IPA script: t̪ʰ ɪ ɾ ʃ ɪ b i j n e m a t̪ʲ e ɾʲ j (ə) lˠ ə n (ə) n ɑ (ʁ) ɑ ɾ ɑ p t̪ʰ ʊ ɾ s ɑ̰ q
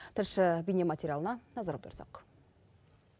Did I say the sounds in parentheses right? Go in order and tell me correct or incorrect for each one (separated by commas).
incorrect, incorrect, incorrect